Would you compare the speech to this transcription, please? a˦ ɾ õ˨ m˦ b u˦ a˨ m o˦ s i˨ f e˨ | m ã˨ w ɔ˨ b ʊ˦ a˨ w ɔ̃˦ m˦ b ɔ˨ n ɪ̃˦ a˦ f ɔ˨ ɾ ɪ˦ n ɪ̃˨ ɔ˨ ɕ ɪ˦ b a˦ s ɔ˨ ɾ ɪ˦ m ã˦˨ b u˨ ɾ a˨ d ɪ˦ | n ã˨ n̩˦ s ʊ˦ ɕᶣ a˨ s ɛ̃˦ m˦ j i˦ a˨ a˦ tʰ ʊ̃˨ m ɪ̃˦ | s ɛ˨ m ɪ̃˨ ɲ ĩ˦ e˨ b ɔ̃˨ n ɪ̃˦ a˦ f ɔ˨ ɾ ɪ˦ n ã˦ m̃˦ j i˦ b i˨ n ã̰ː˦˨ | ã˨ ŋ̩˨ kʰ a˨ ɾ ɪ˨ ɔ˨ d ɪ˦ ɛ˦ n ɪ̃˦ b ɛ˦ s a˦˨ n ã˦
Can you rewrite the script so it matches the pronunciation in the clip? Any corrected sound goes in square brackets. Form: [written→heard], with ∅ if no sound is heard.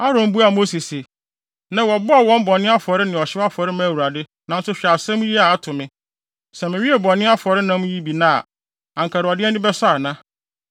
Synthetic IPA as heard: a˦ ɾ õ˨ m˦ b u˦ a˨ m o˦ s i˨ [f→s] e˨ | [m→n] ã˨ w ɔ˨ b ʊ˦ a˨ w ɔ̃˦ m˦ b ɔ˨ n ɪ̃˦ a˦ f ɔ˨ ɾ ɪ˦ n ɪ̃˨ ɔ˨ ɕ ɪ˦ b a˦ [s→f] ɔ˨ ɾ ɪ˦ m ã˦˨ [b→w] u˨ ɾ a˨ d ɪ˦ | n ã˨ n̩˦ s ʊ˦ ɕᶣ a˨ s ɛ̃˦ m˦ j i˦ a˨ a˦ tʰ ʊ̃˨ m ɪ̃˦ | s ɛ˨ m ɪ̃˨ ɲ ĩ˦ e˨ b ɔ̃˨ n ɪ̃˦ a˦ f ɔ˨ ɾ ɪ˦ n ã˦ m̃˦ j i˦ b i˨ n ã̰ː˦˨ | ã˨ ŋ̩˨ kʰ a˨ ɾ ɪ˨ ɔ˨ d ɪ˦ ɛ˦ n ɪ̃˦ b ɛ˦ s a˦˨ n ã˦